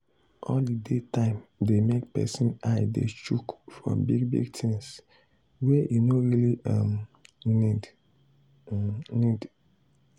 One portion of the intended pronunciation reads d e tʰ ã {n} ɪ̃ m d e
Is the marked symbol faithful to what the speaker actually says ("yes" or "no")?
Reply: no